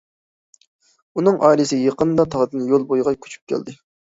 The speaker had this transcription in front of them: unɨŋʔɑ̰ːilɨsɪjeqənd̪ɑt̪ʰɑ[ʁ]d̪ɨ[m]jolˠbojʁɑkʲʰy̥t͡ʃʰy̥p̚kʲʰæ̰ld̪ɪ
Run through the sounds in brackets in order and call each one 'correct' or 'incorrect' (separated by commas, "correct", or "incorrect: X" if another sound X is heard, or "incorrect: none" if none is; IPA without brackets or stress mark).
correct, incorrect: n